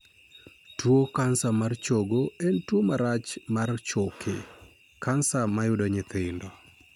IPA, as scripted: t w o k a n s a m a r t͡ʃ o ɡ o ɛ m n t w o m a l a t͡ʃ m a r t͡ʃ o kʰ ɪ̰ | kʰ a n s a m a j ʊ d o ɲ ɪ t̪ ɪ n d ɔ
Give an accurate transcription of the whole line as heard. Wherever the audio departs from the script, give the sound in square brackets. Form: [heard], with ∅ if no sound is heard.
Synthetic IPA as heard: t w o k a n s a m a r t͡ʃ o ɡ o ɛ [∅] n t w o m a [ɾ] a t͡ʃ m a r t͡ʃ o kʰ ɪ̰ | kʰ a n s a m a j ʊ d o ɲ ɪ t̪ ɪ n d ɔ

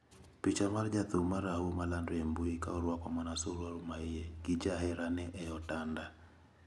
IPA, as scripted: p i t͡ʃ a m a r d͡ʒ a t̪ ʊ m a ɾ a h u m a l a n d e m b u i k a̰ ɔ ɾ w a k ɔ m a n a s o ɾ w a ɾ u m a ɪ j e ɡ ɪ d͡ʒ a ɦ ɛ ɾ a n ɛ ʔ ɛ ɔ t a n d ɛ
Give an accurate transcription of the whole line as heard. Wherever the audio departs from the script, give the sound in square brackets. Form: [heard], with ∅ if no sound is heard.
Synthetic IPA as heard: p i t͡ʃ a m a r d͡ʒ a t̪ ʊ m a ɾ a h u m a l a n d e m b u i k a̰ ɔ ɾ w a k ɔ m a n a s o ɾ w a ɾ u m a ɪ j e ɡ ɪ d͡ʒ a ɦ ɛ ɾ a n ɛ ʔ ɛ ɔ t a n d [a]

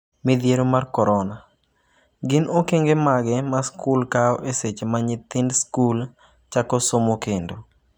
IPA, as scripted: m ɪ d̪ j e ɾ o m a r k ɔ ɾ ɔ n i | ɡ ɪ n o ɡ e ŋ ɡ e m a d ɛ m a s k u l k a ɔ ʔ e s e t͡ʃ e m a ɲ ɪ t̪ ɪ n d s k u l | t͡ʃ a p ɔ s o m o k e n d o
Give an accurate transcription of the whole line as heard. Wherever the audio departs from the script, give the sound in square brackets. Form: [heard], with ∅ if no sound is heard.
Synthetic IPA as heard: m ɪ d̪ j e ɾ o m a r k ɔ ɾ ɔ n [a] | ɡ ɪ n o [k] e ŋ ɡ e m a [ɡ] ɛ m a s k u l k a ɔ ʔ e s e t͡ʃ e m a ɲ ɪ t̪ ɪ n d s k u l | t͡ʃ a [k] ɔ s o m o k e n d o

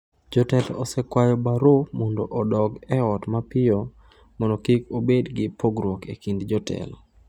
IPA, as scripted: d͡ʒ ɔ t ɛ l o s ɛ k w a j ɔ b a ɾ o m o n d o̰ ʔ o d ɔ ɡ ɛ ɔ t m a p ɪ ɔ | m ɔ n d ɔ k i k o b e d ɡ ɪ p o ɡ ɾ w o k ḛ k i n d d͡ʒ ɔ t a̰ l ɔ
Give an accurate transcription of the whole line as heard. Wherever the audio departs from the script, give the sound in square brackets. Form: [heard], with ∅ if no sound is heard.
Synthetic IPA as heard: d͡ʒ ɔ t ɛ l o s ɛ k w a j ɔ b a ɾ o m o n d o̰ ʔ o d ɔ ɡ ɛ ɔ t m a p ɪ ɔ | m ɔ n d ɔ k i k o b e d ɡ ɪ p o ɡ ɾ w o k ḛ k i n d d͡ʒ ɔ t [ɛ̰] l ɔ

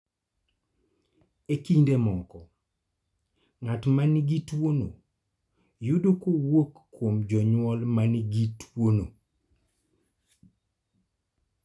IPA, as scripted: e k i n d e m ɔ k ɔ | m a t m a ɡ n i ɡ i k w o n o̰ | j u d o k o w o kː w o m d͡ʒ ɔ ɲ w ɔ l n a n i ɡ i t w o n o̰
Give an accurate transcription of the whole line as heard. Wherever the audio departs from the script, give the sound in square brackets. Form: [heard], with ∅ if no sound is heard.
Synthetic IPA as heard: e k i n d e m ɔ k ɔ | [ŋ] a t m a [∅] n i ɡ i [t] w o n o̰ | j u d o k o w o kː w o m d͡ʒ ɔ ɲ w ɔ l [m] a n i ɡ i t w o n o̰

